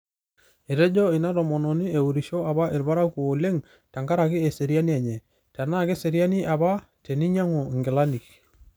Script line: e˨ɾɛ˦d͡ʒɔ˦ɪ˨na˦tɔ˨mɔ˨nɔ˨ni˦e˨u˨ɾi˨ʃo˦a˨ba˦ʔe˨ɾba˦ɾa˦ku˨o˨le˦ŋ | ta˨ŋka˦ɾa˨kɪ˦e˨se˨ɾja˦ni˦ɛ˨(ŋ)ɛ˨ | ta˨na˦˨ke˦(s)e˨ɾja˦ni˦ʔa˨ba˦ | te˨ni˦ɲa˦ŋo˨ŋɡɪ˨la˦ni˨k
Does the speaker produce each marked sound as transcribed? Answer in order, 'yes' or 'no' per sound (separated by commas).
no, yes